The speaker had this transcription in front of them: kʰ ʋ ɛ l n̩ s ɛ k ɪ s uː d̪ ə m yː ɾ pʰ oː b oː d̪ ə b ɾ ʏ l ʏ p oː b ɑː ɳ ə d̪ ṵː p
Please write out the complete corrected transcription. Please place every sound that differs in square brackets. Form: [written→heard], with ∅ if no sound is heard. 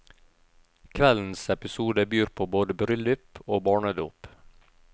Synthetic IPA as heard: kʰ ʋ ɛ l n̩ s ɛ [k→p] ɪ s uː d̪ ə [m→b] yː ɾ pʰ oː b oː d̪ ə b ɾ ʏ l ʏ p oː b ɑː ɳ ə d̪ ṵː p